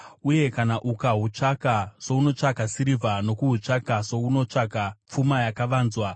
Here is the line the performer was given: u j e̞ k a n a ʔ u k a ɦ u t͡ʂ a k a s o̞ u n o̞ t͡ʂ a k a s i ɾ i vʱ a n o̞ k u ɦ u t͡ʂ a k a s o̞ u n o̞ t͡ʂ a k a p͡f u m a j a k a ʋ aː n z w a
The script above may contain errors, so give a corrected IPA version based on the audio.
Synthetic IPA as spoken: u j e̞ k a n a ʔ u k a ɦ u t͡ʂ a k a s o̞ u n o̞ t͡ʂ a k a s i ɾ i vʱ a n o̞ k u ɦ u t͡ʂ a k a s o̞ u n o̞ t͡ʂ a k a p͡f u m a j a k a ʋ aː n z w a